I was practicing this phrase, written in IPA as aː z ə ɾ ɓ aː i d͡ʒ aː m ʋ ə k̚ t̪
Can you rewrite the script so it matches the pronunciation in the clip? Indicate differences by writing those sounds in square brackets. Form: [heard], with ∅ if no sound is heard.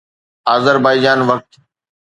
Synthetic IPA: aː z ə ɾ [b] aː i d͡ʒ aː [n] ʋ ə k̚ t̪